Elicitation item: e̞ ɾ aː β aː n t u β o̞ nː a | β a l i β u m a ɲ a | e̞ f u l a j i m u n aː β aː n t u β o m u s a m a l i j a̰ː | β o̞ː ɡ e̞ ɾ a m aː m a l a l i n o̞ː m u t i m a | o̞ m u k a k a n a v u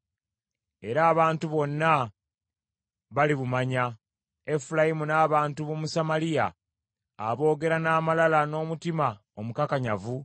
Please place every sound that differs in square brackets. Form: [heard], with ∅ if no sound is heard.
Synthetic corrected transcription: e̞ ɾ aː β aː n t u β o̞ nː a | β a l i β u m a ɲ a | e̞ f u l a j i m u n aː β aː n t u β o m u s a m a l i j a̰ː | β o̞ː ɡ e̞ ɾ a [n] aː m a l a l [a] n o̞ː m u t i m a | o̞ m u k a k a [ɲ] a v u